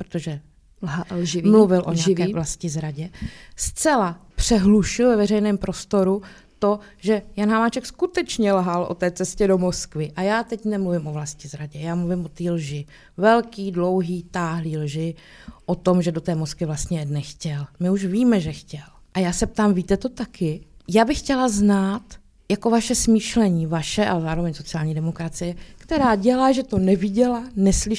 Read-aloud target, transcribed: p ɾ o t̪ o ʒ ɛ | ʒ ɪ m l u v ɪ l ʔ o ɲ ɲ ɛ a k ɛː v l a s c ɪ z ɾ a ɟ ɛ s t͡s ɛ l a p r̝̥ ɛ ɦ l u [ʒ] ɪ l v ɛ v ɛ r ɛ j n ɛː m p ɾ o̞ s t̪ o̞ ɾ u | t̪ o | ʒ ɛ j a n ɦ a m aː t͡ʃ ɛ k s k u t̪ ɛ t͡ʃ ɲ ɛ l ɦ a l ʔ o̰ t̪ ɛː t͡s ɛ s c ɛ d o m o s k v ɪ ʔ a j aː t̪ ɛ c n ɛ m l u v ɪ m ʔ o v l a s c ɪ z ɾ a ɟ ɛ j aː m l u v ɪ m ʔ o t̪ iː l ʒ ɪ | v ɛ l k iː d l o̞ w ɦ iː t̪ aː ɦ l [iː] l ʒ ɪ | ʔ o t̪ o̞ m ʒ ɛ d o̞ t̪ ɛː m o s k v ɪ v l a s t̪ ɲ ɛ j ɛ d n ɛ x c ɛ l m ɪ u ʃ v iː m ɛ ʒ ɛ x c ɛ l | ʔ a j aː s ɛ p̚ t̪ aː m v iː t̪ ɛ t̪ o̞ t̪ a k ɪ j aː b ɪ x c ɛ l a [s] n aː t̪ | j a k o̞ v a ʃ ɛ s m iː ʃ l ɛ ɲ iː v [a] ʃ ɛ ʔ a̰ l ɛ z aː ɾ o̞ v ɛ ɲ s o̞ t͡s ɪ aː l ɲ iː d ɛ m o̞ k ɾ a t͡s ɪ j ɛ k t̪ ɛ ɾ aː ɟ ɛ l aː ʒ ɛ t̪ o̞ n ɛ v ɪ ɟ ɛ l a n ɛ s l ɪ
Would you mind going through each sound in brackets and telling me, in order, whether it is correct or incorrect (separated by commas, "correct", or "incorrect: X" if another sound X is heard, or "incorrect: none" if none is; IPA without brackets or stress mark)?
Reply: incorrect: ʃ, correct, incorrect: z, correct